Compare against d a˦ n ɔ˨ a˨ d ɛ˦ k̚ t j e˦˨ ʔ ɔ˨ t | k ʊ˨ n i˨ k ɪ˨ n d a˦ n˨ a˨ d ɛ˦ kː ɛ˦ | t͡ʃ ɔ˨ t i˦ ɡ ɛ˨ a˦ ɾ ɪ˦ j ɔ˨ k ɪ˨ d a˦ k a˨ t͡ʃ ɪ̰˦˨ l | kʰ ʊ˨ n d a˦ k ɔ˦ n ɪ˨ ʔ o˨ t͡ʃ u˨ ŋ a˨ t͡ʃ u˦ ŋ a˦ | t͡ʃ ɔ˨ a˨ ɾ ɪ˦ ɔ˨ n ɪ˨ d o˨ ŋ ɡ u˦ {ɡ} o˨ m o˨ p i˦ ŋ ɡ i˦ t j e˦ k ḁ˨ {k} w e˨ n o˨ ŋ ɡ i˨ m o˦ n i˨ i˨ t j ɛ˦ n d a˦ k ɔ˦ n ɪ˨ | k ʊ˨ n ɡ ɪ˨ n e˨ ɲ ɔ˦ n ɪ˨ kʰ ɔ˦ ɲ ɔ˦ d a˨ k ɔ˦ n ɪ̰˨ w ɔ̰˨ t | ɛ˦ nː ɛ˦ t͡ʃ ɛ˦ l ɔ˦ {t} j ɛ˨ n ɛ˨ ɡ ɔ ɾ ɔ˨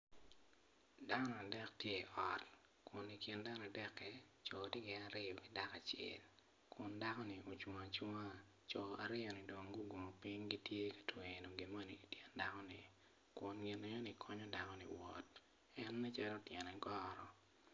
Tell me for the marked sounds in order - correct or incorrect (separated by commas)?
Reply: correct, incorrect, correct